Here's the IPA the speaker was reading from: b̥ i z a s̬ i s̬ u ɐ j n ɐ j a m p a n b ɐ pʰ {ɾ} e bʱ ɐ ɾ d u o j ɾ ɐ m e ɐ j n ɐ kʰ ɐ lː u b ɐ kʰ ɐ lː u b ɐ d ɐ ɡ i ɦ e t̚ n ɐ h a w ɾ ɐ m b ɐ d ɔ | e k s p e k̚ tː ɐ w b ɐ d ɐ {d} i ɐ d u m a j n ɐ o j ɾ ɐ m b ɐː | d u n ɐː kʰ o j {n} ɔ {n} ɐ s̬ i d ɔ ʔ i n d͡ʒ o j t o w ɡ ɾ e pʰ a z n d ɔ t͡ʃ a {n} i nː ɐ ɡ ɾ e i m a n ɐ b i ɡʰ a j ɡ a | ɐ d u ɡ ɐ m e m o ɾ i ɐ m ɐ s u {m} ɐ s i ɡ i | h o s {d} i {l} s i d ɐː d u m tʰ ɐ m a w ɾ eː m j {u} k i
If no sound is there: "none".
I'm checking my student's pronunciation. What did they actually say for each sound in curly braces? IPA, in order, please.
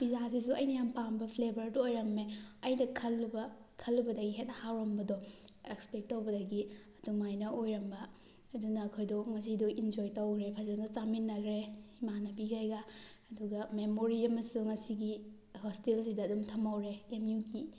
l, ɡ, d, ŋ, m, ŋ, t, l, u

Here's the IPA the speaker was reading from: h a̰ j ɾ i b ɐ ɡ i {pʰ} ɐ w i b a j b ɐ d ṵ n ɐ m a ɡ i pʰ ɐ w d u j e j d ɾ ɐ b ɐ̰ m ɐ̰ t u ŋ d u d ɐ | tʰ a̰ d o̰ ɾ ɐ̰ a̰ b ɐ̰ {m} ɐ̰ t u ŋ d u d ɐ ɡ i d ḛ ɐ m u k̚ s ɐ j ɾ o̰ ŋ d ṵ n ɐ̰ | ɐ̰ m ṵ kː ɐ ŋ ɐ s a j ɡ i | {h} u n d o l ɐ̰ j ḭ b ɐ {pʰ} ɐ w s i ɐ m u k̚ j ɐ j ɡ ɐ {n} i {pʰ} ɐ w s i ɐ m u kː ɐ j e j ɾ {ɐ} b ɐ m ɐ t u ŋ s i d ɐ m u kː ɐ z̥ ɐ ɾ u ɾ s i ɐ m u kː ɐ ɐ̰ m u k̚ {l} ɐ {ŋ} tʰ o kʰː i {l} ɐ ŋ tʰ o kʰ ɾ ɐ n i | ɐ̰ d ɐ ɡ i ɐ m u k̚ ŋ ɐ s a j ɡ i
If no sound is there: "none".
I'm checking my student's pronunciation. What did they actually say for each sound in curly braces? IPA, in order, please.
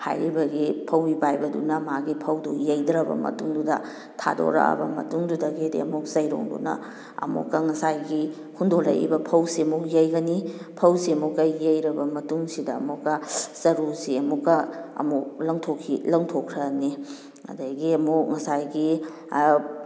pʰ, m, h, pʰ, n, pʰ, ɐ, l, ŋ, l

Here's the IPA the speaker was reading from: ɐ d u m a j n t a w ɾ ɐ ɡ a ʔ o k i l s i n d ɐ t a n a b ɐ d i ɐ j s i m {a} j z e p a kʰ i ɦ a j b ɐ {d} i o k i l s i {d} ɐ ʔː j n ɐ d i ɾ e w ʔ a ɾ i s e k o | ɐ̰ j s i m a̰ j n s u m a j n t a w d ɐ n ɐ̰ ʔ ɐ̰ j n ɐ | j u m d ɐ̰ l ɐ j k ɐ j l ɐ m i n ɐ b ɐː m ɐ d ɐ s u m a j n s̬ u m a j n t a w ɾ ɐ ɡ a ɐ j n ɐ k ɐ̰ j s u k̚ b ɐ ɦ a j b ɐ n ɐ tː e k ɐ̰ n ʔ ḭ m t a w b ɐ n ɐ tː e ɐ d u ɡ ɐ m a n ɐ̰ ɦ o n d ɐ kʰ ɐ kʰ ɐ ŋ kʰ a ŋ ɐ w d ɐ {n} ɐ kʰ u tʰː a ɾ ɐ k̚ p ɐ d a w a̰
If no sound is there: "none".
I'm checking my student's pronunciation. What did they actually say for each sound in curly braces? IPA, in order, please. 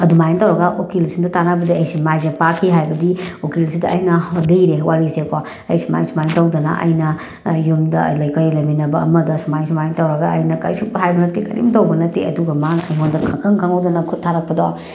a, d, d, n

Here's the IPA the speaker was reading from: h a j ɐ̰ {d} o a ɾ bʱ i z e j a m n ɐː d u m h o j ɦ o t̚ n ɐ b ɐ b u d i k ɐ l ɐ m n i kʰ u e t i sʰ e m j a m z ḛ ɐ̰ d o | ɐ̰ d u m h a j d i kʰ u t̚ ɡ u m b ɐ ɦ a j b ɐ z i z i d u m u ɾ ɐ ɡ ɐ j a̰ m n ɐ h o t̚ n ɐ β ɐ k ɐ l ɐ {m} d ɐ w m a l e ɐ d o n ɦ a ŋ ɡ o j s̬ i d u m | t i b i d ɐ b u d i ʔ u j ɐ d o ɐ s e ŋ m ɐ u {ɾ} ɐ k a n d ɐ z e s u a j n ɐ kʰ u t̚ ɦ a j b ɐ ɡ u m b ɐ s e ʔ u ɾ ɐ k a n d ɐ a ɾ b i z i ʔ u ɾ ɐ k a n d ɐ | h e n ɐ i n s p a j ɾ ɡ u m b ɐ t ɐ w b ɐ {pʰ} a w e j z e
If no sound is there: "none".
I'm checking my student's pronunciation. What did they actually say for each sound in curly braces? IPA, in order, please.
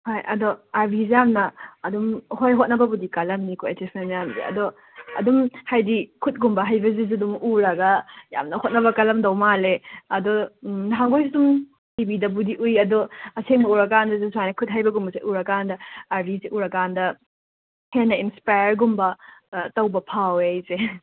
d, m, ɾ, pʰ

